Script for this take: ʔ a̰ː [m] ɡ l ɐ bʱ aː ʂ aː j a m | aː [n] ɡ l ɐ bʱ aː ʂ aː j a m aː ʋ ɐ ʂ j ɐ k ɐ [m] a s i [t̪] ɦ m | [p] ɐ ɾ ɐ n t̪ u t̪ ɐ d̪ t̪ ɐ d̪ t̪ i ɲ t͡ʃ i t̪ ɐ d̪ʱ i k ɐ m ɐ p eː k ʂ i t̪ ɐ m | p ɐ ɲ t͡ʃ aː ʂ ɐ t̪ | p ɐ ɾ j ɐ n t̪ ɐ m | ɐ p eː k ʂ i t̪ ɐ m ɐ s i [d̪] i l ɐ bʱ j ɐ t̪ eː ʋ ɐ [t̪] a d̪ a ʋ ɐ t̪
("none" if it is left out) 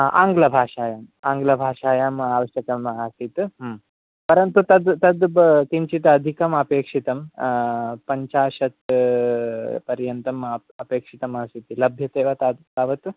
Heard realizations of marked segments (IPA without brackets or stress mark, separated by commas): ŋ, ŋ, m, t̪, p, t̪, t̪